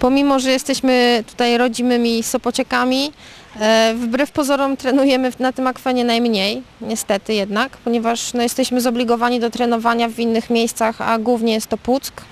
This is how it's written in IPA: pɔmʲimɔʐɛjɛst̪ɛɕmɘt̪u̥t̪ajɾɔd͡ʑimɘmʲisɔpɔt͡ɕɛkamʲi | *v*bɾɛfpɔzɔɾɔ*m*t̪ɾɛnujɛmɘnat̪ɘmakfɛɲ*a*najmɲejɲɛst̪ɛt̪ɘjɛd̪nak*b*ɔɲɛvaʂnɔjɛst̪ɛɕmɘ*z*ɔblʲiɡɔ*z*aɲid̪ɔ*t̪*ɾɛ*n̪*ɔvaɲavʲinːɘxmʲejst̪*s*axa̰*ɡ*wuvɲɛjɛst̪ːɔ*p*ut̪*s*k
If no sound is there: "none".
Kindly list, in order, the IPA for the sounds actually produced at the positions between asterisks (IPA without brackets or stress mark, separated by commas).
v, m, ɛ, p, z, v, t̪, n̪, s, ɡ, p, s